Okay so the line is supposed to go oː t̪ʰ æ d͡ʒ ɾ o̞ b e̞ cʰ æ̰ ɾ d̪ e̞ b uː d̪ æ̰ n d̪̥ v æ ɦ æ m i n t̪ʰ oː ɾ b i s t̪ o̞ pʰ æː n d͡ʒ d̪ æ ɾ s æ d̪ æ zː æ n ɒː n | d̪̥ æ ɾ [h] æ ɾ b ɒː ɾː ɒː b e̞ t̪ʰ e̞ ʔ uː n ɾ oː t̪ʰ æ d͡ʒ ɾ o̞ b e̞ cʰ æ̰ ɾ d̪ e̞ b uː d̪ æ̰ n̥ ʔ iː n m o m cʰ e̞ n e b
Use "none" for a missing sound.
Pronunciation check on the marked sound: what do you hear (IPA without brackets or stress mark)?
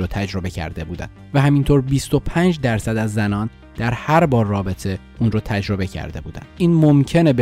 h